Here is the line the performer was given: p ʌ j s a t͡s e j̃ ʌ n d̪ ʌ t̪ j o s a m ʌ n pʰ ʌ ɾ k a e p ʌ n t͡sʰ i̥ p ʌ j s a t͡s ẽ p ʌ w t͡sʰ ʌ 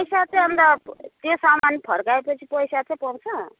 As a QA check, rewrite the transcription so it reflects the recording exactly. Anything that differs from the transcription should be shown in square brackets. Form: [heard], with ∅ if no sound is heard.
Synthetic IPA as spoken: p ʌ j s a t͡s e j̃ ʌ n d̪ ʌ t̪ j o s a m [a] n pʰ ʌ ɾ k a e p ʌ [∅] t͡sʰ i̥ p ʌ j s a t͡s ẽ p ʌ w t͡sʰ ʌ